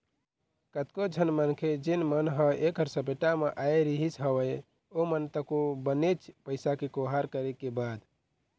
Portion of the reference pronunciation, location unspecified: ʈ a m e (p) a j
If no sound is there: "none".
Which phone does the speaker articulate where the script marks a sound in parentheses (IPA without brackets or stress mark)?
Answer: ʔ